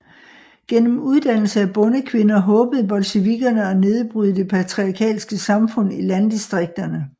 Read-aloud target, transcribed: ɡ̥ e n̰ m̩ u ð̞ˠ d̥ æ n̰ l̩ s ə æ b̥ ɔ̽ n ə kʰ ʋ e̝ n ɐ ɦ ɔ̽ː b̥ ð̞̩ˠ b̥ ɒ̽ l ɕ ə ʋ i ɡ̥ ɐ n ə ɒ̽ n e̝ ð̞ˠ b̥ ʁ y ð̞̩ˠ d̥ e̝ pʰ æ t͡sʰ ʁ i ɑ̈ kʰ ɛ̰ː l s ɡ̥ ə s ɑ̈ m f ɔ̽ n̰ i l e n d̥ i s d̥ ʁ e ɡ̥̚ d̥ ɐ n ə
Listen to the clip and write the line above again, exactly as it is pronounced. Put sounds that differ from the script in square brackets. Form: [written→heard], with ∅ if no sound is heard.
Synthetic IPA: ɡ̥ e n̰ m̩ u ð̞ˠ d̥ æ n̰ l̩ s ə æ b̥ ɔ̽ n ə kʰ ʋ e̝ n ɐ ɦ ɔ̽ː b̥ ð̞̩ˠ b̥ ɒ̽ l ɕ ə ʋ i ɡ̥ ɐ n ə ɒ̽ n e̝ ð̞ˠ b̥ ʁ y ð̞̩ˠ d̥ e̝ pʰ æ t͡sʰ ʁ i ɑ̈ kʰ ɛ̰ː l s ɡ̥ ə s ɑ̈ m f ɔ̽ n̰ i l [e→æ] n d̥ i s d̥ ʁ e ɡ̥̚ d̥ ɐ n ə